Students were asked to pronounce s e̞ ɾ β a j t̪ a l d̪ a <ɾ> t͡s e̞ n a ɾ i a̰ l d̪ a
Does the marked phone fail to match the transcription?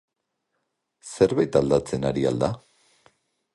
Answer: yes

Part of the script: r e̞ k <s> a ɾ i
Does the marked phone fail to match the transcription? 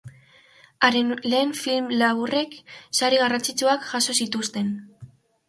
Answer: no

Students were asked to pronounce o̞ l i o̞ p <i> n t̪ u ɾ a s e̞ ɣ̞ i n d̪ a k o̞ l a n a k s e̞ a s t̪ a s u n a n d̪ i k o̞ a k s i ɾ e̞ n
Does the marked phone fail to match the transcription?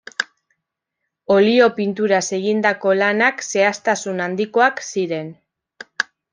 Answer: no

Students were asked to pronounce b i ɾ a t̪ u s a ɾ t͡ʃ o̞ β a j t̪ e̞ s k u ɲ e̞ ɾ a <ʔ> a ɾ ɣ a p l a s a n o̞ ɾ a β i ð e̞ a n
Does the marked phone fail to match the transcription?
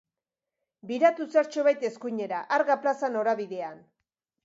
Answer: no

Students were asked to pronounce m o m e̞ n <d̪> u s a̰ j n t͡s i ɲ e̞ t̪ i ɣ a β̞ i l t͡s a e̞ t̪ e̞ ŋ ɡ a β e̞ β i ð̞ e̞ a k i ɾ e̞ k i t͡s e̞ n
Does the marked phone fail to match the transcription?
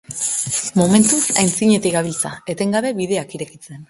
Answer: yes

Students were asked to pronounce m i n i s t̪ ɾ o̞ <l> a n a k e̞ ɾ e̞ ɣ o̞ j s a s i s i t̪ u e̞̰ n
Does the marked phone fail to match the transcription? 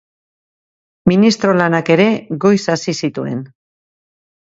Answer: no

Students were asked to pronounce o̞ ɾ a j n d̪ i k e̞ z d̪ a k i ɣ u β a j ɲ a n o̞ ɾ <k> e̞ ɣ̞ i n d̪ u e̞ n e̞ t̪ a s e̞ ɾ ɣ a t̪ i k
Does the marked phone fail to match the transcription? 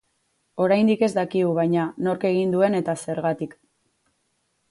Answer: no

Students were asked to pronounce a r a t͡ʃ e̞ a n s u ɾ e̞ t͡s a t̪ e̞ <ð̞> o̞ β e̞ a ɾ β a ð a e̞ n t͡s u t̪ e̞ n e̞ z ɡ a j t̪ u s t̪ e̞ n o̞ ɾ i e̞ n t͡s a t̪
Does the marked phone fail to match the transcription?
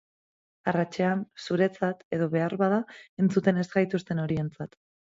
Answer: no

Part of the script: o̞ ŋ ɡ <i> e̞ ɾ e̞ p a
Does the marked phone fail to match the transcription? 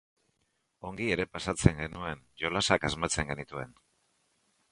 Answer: no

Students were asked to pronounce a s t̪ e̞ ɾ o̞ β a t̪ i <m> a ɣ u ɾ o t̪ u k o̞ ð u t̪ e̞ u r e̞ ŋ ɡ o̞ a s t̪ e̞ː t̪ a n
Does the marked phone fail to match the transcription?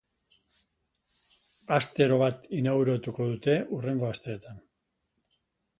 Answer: yes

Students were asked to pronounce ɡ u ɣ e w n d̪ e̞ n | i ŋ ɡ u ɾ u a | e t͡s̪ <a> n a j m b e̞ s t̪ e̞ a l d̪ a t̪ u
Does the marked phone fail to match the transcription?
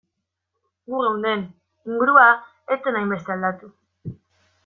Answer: yes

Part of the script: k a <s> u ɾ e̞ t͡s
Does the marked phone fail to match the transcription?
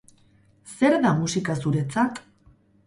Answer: no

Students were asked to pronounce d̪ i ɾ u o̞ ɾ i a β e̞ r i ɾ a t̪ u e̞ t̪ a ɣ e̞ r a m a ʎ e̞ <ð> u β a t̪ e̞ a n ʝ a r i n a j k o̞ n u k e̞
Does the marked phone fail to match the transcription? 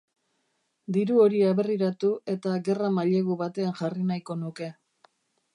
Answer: yes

